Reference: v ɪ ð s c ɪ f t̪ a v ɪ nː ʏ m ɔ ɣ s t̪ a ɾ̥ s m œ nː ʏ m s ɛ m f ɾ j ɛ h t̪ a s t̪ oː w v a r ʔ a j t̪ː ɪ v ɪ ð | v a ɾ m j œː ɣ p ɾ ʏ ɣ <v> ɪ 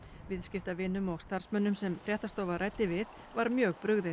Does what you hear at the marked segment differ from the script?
yes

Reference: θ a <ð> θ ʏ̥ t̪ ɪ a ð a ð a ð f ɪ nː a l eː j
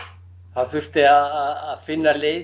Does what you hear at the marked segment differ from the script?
no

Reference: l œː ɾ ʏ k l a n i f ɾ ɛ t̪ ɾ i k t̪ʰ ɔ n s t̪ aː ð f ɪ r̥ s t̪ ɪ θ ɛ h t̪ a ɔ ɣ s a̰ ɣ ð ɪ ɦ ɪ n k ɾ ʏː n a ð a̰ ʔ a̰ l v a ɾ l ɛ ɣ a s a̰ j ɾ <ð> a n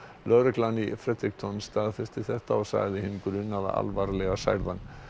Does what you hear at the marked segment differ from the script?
no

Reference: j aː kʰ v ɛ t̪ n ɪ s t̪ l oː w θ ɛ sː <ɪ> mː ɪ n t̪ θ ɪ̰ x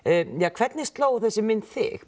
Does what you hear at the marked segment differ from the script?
no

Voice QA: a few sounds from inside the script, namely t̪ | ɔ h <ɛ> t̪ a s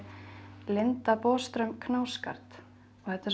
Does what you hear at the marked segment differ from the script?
no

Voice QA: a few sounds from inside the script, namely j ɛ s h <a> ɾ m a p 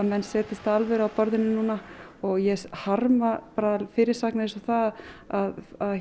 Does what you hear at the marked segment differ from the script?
no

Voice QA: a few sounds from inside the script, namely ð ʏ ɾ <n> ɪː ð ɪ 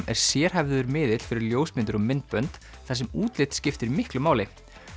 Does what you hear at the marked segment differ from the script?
yes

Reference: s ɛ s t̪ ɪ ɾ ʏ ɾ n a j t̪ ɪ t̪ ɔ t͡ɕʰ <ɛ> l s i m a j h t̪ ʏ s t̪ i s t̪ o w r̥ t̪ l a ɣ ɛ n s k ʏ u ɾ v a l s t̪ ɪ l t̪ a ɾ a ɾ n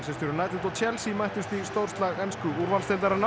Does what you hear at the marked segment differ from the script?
no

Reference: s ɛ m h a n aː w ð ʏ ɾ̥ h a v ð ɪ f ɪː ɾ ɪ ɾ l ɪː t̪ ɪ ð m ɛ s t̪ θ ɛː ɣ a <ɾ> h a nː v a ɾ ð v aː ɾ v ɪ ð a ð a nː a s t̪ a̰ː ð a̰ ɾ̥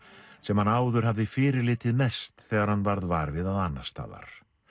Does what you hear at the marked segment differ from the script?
no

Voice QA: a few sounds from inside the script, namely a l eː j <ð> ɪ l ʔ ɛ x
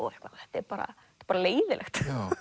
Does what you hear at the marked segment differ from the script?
no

